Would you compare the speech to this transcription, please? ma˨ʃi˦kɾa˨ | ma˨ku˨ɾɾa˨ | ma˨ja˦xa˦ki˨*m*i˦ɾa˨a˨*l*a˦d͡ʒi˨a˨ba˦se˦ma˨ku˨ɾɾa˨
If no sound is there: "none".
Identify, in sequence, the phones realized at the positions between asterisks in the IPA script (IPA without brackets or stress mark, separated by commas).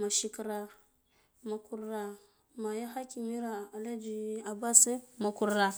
m, l